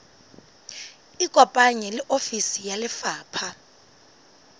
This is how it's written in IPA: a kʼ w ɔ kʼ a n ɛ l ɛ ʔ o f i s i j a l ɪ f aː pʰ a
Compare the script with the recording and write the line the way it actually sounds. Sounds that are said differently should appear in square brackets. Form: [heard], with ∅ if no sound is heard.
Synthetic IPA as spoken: [i] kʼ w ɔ [pʼ] a [ɲ] ɛ l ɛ ʔ o f i s i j a l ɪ f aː pʰ a